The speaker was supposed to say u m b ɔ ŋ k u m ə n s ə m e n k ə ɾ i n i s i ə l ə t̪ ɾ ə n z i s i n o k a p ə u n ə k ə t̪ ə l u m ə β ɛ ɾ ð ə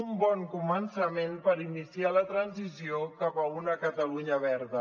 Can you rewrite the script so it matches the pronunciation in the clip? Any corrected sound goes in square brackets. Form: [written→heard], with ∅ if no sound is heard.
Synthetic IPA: u m b ɔ ŋ k u m ə n s ə m e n [k→p] ə ɾ i n i s i [ə→a] l ə t̪ ɾ ə n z i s i [n→∅] o k a p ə u n ə k ə t̪ ə l u [m→ɲ] ə β ɛ ɾ ð ə

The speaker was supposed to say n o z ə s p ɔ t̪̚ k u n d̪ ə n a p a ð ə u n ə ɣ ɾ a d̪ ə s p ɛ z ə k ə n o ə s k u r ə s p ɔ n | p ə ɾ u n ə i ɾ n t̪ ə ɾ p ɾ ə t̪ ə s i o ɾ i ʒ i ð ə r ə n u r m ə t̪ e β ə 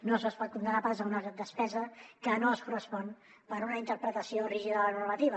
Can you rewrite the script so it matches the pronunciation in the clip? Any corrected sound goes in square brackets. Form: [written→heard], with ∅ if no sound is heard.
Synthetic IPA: n o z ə s p ɔ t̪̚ k u n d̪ ə n a p a [ð→z] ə u n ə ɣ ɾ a d̪ ə s p ɛ z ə k ə n o ə s k u r ə s p ɔ n | p ə ɾ u n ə i [ɾ→∅] n t̪ ə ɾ p ɾ ə t̪ ə s i o [ɾ→r] i ʒ i ð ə [r→l] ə n u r m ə t̪ [e→i] β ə

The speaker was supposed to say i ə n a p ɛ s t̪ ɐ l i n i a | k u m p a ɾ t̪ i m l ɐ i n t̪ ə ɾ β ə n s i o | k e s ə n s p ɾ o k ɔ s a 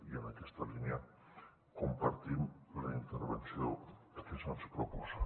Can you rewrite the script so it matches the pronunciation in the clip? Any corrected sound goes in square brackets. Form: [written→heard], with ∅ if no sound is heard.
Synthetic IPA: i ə n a [p→k] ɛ s t̪ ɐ l i n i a | k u m p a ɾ t̪ i m l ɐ i n t̪ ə ɾ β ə n s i o | k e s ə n s p ɾ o [k→p] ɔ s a

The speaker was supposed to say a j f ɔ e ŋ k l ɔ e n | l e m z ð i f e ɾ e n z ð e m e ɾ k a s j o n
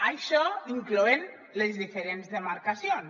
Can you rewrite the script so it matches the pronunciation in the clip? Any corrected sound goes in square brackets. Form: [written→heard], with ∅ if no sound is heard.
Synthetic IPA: a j [f→ʃ] ɔ [e→i] ŋ k l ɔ e n | l e [m→∅] z ð i f e ɾ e n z ð e m [e→a] ɾ k a s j o n

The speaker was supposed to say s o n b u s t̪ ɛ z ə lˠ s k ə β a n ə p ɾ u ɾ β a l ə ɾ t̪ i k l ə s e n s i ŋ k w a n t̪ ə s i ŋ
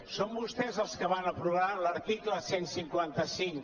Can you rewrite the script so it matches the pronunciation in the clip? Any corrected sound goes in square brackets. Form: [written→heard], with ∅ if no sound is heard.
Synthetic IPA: s o [n→m] b u s t̪ ɛ z ə lˠ s k ə β a n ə p ɾ u [ɾ→∅] β a l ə ɾ t̪ i k l ə s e n s i ŋ k w a n t̪ ə s i ŋ

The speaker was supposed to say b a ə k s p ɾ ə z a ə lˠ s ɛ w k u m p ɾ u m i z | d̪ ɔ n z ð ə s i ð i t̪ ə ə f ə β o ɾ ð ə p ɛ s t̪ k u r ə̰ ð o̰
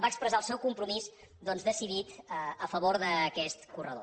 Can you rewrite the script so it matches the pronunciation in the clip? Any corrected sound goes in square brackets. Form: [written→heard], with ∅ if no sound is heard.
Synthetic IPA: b a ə k s p ɾ ə z a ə lˠ s ɛ w k u m p ɾ u m i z | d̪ ɔ n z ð ə s i ð i t̪ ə ə f ə β o ɾ ð ə [p→k] ɛ s t̪ k u r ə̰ ð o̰

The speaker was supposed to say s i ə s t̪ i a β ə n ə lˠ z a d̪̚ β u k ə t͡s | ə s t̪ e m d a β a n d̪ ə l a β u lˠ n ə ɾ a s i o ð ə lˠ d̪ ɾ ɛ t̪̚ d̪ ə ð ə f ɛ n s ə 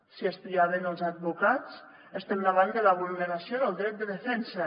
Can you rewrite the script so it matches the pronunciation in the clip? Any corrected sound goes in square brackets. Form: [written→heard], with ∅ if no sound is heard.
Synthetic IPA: s i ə s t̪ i a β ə n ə lˠ z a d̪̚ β u k [ə→a] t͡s | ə s t̪ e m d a β a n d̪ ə l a β u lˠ n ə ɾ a s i o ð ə lˠ d̪ ɾ ɛ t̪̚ d̪ ə ð ə f ɛ n s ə

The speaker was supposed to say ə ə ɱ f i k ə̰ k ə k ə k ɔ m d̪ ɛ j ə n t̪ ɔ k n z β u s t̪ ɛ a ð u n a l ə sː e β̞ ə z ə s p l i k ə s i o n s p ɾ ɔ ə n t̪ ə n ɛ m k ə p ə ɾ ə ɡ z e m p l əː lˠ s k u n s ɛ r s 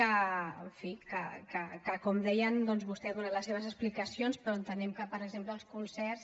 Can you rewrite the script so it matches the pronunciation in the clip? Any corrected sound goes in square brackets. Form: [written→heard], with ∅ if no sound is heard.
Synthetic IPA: ə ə ɱ f i k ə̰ k ə k ə k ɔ m d̪ ɛ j ə n [t̪→d̪] ɔ [k→∅] n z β u s t̪ ɛ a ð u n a l ə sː e β̞ ə z ə s p l i k ə s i o n s p ɾ ɔ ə n t̪ ə n ɛ m k ə p ə ɾ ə ɡ z e m p l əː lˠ s k u n s ɛ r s

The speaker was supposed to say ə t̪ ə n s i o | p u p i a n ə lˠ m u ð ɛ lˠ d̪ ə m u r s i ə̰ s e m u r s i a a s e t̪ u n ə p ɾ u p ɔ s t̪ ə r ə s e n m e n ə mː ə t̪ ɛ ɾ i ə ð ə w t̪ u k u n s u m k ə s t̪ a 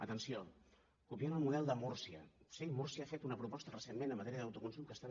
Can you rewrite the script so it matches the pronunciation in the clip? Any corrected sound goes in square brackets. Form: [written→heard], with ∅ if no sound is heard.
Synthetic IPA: ə t̪ ə n s i o | [p→k] u p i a n ə lˠ m u ð ɛ lˠ d̪ ə m u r s i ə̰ s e m u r s i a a [s→f] e t̪ u n ə p ɾ u p ɔ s t̪ ə r ə s e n m e n ə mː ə t̪ ɛ ɾ i ə ð ə w t̪ u k u n s u m k ə s t̪ a

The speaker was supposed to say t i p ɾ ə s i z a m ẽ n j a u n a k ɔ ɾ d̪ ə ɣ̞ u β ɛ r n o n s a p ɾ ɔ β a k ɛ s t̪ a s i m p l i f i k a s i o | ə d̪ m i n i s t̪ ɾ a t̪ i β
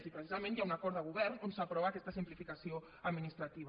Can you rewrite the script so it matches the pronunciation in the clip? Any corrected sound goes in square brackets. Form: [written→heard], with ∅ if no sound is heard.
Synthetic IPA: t i p ɾ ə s i z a m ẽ n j a u n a k ɔ ɾ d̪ ə ɣ̞ u β ɛ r n o n s a p ɾ ɔ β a k ɛ s t̪ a s i m p l i f i k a s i o | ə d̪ m i n i s t̪ ɾ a t̪ i β

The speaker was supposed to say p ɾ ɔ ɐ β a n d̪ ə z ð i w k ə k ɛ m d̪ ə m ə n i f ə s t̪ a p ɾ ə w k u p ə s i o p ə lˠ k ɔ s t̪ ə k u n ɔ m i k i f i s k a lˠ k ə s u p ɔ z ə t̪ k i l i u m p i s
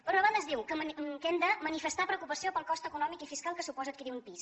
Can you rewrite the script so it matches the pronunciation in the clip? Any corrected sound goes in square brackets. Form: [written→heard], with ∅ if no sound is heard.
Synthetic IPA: p ɾ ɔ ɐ β a n d̪ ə z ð i w k ə k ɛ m d̪ ə m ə n i f ə s t̪ a p ɾ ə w k u p ə s i o p ə lˠ k ɔ s t̪ ə k u n ɔ m i k i f i s k a lˠ k ə s u p ɔ z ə t̪ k i [l→ɾ] i u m p i s

